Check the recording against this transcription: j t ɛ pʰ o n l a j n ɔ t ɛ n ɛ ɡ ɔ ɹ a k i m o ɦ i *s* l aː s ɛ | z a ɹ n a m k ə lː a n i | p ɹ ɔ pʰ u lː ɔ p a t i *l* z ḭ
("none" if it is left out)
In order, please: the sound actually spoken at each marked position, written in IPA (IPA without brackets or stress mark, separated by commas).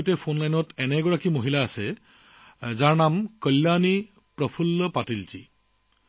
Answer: none, l